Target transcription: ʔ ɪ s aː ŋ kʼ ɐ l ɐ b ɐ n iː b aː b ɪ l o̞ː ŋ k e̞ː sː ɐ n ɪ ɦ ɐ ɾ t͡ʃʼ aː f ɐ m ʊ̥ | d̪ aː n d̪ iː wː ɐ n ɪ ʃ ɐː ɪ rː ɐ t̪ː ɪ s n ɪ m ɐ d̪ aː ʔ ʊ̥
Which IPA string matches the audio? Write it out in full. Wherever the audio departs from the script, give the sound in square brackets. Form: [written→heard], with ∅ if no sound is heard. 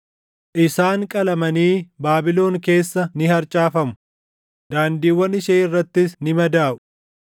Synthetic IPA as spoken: ʔ ɪ s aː ŋ kʼ ɐ l ɐ [b→m] ɐ n iː b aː b ɪ l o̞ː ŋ k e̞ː sː ɐ n ɪ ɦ ɐ ɾ t͡ʃʼ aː f ɐ m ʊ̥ | d̪ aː n d̪ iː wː ɐ n ɪ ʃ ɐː ɪ rː ɐ t̪ː ɪ s n ɪ m ɐ d̪ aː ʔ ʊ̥